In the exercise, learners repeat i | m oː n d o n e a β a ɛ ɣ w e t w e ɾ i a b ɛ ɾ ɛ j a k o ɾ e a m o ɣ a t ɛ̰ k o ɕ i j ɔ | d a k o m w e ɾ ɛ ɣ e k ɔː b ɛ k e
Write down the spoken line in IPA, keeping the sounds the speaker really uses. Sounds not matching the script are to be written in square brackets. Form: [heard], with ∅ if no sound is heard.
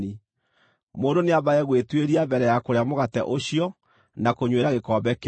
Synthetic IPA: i | m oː n d o n e a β a ɛ ɣ w e t w e ɾ i a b ɛ ɾ ɛ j a k o ɾ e a m o ɣ a t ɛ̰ [ʔ] o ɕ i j ɔ | [n] a k o [ɲ] w e ɾ [a] ɣ e k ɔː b ɛ k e